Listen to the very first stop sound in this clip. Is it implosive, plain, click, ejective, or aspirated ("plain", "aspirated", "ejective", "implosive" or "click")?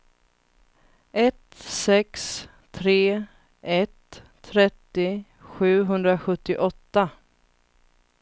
plain